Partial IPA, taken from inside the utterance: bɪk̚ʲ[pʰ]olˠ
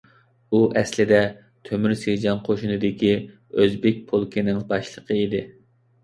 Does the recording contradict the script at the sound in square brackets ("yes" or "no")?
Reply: no